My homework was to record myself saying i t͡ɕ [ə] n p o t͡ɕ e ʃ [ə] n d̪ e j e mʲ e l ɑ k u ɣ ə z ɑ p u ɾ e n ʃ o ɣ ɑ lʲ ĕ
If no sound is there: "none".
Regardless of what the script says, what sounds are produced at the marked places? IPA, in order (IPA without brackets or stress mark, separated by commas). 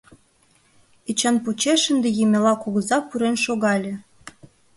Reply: ɑ, ə